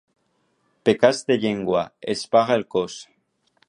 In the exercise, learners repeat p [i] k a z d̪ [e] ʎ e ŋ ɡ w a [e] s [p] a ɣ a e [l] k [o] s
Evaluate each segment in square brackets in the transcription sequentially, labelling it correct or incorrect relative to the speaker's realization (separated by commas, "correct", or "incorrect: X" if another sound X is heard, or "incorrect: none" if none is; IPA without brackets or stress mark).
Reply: incorrect: e, correct, correct, correct, correct, correct